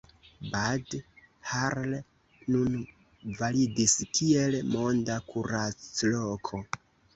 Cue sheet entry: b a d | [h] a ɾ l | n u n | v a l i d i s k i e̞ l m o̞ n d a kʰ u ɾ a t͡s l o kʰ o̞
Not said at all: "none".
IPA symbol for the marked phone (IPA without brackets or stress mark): h